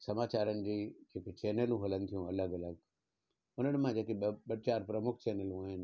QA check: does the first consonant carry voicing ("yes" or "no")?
no